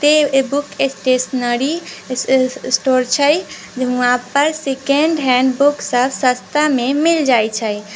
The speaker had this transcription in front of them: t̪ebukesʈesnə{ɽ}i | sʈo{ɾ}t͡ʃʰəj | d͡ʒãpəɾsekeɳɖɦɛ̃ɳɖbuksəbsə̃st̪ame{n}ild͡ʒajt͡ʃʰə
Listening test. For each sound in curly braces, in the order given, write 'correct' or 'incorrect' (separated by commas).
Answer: incorrect, correct, incorrect